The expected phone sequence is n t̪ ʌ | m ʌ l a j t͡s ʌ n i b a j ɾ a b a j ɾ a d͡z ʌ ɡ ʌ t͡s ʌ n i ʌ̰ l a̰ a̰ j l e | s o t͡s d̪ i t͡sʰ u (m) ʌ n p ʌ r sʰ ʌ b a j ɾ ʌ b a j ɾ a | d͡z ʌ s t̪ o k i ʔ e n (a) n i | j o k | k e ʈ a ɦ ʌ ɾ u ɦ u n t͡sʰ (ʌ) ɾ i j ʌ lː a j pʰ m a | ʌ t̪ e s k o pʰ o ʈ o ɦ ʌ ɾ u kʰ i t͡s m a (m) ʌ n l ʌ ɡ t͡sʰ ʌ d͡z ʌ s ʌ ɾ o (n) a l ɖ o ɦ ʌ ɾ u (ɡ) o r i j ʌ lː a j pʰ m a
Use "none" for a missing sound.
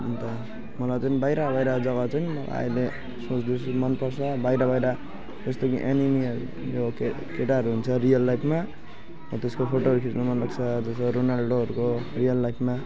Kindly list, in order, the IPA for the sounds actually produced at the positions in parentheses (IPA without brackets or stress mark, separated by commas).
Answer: m, i, ʌ, m, n, k